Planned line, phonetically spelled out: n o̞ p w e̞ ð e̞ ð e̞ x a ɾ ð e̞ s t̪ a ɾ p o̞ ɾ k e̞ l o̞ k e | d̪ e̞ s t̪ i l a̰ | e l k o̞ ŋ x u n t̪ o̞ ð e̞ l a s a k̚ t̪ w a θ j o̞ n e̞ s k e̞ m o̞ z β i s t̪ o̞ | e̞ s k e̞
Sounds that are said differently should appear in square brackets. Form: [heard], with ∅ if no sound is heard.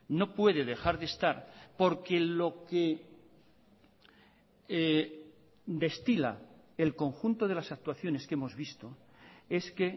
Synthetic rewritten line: n o̞ p w e̞ ð e̞ ð e̞ x a ɾ ð e̞ s t̪ a ɾ p o̞ ɾ k e̞ l o̞ k e | d̪ e̞ s t̪ i l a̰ | e l k o̞ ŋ x u n t̪ o̞ ð e̞ l a s a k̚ t̪ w a θ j o̞ n e̞ s k e̞ m o̞ z β i s t̪ o̞ | e̞ s k e̞